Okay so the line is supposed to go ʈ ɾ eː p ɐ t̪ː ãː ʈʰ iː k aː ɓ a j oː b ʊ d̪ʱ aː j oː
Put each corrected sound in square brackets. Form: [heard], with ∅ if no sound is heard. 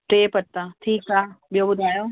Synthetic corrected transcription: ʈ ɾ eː p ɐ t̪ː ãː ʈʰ iː k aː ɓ [i] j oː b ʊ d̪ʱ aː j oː